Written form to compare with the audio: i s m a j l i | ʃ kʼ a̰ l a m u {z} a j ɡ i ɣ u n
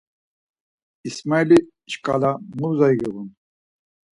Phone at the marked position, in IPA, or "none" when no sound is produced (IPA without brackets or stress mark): z